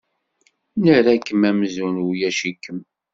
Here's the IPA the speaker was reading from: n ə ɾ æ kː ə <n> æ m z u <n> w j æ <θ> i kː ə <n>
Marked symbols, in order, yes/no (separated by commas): no, yes, no, no